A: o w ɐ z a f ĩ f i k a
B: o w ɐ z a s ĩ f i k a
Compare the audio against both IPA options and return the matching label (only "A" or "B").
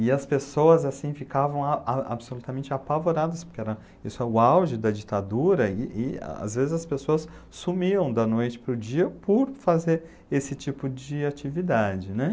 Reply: B